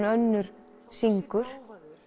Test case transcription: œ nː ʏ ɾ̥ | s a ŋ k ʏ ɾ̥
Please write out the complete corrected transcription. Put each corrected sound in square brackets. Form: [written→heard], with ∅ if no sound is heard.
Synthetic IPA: œ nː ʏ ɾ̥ | s [a→i] ŋ k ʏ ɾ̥